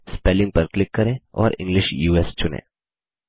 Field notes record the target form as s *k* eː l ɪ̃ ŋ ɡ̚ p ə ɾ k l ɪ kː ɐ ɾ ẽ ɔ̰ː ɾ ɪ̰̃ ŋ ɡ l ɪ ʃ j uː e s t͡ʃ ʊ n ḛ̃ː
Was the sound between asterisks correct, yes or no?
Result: no